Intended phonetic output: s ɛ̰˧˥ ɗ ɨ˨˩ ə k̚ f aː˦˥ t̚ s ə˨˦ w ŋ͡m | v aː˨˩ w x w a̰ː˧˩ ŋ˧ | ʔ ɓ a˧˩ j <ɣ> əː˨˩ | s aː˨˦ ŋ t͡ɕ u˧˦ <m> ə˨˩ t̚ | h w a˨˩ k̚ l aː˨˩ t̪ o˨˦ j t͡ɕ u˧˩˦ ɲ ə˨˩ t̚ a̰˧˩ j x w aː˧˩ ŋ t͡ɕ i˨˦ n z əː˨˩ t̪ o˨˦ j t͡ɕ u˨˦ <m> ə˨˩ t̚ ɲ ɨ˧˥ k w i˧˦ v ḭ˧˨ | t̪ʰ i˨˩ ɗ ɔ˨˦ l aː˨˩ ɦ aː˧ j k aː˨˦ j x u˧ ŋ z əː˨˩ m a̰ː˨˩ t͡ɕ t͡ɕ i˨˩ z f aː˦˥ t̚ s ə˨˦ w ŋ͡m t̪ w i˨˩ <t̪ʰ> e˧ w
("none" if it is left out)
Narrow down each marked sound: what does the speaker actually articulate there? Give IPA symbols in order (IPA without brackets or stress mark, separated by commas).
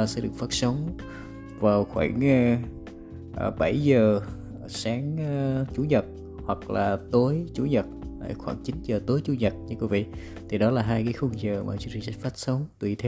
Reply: z, ɲ, ɲ, t̪ʰ